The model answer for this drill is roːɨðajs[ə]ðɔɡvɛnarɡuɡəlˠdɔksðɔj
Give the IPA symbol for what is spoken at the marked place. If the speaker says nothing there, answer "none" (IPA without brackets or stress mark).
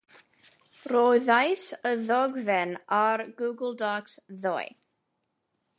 ə